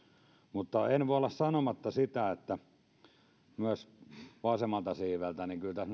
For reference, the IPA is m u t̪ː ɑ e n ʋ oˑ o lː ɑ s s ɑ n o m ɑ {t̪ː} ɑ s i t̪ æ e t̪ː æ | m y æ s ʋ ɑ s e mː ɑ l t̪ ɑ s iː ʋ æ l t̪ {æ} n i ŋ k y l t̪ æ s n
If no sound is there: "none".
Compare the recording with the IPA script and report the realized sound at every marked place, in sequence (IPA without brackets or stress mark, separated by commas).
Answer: t̪ː, æ